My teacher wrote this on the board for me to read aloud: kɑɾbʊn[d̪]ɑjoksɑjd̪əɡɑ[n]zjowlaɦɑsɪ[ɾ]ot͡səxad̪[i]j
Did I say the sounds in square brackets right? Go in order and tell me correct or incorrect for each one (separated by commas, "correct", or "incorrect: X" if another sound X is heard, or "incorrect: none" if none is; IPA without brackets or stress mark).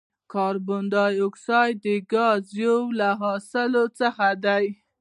correct, incorrect: none, incorrect: l, incorrect: a